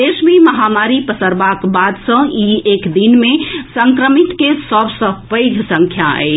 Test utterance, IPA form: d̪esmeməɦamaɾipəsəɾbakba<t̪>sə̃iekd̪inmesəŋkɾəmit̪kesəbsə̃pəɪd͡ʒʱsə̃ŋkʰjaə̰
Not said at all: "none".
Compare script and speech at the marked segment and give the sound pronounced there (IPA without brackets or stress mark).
d̪